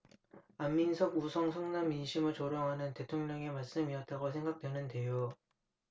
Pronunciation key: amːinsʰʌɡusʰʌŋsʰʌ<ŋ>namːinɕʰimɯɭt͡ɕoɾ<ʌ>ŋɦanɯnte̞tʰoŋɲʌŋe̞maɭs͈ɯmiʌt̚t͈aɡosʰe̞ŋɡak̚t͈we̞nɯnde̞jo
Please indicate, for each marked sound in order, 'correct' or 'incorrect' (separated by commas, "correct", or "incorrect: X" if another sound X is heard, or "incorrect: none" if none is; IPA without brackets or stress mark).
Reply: correct, correct